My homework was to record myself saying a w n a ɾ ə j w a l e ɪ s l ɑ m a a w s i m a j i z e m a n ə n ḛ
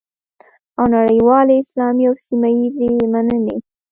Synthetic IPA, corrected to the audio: a w n a ɽ ə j w ɑ l e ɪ s l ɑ m i a w s i m a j i z e m a n ə n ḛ